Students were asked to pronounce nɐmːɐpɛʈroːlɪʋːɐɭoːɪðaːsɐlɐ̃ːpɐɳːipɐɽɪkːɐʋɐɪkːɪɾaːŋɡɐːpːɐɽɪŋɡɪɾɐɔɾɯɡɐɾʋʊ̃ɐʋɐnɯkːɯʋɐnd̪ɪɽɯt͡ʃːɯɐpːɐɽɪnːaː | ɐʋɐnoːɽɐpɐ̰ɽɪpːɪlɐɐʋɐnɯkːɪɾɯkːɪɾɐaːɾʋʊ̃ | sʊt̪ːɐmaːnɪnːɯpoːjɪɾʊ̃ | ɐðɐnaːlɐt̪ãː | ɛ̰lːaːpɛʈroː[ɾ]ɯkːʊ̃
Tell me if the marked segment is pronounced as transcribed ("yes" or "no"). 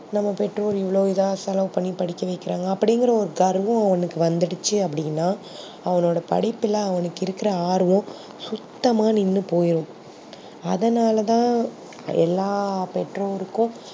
yes